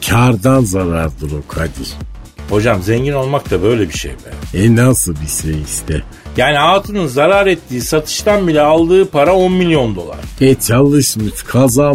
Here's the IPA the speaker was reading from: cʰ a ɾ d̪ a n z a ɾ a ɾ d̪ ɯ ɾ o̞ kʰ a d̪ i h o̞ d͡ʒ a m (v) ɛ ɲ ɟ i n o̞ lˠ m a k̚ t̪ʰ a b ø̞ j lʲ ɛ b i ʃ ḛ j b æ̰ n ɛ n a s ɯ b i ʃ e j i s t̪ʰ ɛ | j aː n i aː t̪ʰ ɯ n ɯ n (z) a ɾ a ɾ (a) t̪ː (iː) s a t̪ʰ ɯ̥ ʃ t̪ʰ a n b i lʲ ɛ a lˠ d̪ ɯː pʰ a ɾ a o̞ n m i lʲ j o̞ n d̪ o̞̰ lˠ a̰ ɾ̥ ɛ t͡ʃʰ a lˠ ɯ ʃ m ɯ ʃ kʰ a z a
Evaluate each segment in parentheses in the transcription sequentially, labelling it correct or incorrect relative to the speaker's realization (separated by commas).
incorrect, correct, incorrect, correct